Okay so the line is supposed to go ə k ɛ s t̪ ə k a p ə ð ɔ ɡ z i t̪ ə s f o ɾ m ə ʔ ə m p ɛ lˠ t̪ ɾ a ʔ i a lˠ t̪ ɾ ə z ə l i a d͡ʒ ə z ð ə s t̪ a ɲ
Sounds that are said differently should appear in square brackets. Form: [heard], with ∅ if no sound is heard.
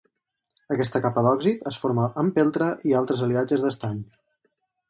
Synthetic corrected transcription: ə k ɛ s t̪ ə k a p ə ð ɔ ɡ z i t̪ ə s f o ɾ m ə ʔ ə m p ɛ lˠ t̪ ɾ [ə] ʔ i a lˠ t̪ ɾ ə z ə l i a d͡ʒ ə z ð ə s t̪ a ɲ